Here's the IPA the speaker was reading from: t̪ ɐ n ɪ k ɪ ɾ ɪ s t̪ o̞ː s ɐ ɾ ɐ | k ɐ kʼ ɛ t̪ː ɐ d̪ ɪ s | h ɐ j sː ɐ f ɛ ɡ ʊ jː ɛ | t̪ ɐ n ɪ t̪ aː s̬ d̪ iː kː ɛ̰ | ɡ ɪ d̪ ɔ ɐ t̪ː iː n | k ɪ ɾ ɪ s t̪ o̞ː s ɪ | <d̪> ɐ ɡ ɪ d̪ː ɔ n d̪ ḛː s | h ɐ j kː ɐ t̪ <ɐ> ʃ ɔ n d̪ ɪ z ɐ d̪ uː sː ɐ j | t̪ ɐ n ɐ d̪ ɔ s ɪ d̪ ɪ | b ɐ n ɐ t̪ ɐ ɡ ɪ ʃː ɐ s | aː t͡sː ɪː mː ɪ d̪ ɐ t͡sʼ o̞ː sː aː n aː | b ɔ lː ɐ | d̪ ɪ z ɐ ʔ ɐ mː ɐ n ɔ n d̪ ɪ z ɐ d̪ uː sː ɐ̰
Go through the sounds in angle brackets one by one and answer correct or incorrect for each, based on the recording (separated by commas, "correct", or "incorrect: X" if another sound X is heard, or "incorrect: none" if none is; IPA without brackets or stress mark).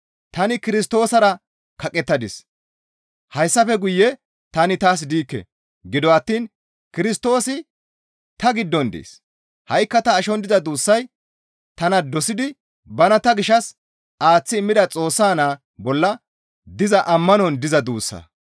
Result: incorrect: t̪, incorrect: ɐː